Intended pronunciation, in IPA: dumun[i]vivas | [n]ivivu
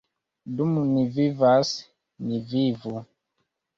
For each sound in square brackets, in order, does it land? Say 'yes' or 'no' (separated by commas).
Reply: yes, yes